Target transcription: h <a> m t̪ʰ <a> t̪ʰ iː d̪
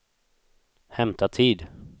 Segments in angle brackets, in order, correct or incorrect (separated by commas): incorrect, correct